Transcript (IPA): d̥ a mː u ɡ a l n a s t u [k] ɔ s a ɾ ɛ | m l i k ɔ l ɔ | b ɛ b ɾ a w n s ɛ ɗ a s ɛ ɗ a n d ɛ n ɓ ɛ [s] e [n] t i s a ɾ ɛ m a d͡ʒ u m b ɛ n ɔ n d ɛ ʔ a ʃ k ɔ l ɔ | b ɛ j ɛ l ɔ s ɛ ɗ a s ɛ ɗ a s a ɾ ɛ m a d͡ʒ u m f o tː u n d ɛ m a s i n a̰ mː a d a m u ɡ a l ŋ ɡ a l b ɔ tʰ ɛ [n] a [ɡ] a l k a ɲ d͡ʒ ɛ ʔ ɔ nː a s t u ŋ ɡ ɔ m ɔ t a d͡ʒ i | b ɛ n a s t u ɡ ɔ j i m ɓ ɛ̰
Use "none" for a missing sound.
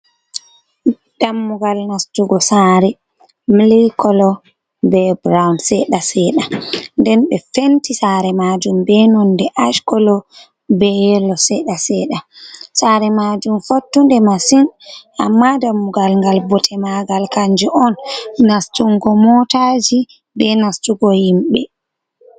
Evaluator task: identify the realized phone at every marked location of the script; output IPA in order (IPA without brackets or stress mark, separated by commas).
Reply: ɡ, f, n, m, ɡ